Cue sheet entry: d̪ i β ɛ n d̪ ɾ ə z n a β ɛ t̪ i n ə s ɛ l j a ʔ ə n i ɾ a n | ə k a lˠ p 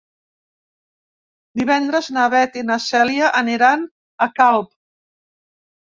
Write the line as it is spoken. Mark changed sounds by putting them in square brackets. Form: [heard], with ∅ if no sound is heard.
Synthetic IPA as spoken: d̪ i β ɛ n d̪ ɾ ə z n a β ɛ t̪ i n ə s ɛ l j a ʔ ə n i ɾ a n | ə k a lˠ p